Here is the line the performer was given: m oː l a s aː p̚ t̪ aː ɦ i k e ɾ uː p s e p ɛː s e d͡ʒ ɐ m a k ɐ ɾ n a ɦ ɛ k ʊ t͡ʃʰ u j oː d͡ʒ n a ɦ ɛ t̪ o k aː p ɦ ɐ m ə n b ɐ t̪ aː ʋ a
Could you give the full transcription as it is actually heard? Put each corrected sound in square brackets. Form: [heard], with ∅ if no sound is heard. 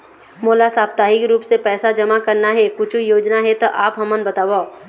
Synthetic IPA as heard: m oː l a s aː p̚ t̪ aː ɦ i k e ɾ uː p s e p ɛː s [a] d͡ʒ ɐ m a k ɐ ɾ n a ɦ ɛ k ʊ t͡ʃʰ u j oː d͡ʒ n a ɦ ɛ t̪ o [ʔ] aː p ɦ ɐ m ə n b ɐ t̪ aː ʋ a